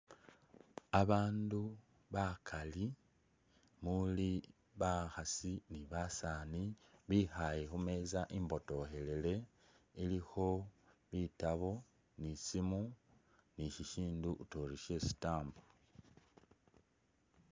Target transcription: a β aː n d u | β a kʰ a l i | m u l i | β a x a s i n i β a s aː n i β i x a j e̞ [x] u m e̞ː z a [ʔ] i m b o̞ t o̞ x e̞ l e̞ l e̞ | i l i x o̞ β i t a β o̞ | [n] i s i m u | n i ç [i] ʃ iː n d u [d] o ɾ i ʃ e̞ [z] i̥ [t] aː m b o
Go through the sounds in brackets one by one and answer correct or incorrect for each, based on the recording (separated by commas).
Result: correct, correct, correct, correct, incorrect, incorrect, correct